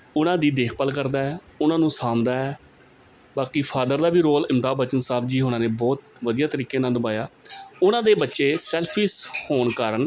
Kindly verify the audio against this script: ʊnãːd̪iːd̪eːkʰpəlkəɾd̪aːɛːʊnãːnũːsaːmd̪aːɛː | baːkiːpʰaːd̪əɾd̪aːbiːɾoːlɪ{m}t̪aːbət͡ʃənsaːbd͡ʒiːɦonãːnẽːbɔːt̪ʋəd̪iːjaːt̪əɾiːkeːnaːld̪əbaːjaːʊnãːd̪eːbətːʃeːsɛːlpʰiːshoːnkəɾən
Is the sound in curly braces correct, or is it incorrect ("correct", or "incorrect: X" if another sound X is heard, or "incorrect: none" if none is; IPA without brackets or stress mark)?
correct